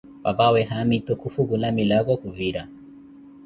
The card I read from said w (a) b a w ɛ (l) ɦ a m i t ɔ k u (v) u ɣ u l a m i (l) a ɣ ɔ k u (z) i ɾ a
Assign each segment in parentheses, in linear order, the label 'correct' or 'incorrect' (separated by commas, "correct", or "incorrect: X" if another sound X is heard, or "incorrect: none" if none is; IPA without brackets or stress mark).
correct, incorrect: none, incorrect: f, correct, incorrect: v